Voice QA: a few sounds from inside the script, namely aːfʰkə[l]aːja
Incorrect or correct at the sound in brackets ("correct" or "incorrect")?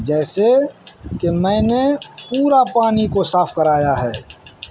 incorrect